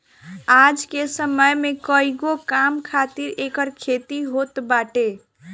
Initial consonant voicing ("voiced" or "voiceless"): voiced